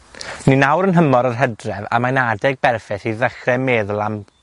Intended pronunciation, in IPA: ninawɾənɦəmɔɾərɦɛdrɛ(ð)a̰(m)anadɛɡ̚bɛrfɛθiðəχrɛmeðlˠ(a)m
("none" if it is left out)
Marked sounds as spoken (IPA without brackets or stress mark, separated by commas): v, m, a